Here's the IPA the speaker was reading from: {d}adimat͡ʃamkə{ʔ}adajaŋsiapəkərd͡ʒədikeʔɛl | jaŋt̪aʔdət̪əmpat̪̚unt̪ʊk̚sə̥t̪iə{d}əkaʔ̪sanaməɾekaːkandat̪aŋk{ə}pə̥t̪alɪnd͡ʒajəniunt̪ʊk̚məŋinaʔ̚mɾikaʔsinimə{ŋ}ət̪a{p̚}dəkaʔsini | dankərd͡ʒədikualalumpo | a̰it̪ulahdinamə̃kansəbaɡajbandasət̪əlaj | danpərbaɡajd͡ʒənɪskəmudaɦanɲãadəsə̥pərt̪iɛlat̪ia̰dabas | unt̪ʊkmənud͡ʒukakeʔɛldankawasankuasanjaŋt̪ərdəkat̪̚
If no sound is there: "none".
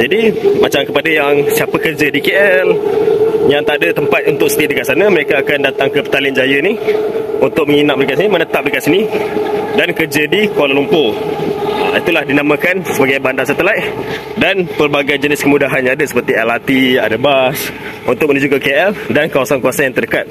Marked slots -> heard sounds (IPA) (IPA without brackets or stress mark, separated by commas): d͡ʒ, p, d, ə, n, p̚